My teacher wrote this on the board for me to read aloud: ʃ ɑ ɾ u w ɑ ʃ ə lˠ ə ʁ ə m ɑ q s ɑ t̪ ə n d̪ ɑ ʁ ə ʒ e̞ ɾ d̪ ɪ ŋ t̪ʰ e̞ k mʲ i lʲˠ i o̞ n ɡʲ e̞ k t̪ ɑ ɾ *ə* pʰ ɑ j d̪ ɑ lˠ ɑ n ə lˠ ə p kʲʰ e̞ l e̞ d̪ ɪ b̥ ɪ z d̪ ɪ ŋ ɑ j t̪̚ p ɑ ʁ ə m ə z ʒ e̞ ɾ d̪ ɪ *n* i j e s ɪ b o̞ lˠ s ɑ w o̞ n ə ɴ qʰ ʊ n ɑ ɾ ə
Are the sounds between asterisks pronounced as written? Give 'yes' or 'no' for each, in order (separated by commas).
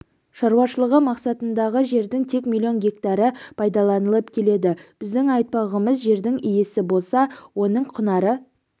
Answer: yes, no